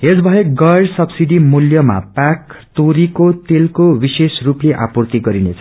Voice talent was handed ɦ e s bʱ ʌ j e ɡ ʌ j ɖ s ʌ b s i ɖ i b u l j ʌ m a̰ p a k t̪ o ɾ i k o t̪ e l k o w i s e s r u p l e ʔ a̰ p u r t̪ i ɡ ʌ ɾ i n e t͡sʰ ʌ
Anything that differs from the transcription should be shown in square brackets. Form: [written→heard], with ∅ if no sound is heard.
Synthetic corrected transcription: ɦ e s bʱ ʌ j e ɡ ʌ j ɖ s ʌ b s i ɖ i [b→m] u l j ʌ m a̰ p a k t̪ o ɾ i k o t̪ e l k o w i s e s r u p l e ʔ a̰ p u r t̪ i ɡ ʌ ɾ i n e t͡sʰ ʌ